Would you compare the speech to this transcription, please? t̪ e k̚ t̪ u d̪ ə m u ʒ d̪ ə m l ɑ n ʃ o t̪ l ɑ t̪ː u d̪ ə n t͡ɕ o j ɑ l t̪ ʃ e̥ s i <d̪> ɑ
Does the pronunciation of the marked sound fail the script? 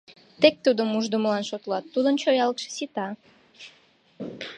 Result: yes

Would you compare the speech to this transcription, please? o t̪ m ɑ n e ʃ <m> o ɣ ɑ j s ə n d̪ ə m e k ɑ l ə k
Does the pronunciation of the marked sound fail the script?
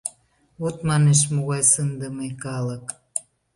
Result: no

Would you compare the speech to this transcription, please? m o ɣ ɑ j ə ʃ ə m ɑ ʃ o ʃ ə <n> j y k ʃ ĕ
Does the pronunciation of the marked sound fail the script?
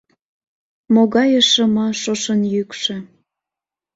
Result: no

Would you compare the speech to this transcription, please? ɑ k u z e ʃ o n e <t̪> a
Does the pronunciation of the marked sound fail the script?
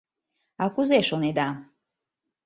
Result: yes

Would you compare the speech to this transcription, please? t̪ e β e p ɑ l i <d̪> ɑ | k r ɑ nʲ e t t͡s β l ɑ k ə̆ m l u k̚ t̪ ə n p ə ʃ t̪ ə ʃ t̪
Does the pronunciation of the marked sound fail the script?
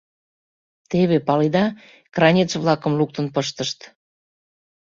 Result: no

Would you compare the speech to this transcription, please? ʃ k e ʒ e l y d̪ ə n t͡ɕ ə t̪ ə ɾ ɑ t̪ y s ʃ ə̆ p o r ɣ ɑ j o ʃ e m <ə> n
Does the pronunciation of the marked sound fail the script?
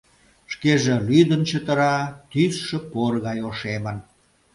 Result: no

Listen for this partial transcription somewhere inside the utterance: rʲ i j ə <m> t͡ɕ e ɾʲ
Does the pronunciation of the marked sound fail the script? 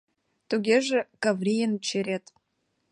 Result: yes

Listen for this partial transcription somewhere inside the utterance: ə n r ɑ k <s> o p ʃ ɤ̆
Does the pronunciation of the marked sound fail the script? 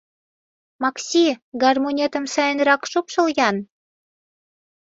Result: yes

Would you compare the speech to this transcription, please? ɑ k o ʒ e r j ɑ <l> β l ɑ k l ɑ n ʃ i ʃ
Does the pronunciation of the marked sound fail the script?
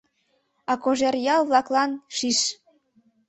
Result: no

